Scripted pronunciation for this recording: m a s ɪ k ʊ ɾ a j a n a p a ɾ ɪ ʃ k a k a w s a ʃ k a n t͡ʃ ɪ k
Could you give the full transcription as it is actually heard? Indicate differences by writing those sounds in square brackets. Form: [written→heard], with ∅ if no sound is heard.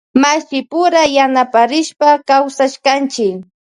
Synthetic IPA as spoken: m a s ɪ [k→p] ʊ ɾ a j a n a p a ɾ ɪ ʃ [k→p] a k a w s a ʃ k a n t͡ʃ ɪ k